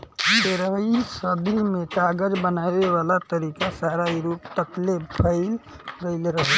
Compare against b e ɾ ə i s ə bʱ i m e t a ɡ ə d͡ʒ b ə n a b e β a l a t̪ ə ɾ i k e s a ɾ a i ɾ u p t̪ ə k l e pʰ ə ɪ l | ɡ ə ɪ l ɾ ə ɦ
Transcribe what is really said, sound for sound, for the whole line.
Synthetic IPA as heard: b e ɾ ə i s ə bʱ i m e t a ɡ ə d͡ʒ b ə n a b e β a l a t̪ ə ɾ i k a s a ɾ a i ɾ u p t̪ ə k l e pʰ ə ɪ l | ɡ ə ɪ l ɾ ə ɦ